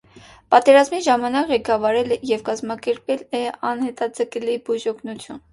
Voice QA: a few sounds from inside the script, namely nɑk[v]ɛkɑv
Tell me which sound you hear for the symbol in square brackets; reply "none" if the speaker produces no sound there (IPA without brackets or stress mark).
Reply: ʁ